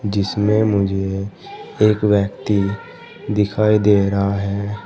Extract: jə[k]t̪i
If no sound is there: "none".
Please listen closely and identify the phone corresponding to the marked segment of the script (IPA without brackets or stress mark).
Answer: k